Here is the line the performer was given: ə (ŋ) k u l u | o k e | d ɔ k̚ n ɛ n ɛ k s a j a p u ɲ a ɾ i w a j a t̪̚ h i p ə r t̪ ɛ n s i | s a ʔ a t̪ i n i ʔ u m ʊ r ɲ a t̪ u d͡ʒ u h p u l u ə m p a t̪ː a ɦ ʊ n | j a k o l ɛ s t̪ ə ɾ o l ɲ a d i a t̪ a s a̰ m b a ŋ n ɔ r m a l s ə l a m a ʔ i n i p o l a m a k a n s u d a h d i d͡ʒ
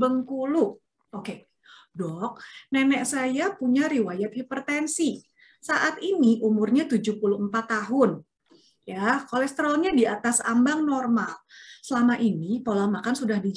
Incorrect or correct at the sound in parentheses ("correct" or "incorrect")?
correct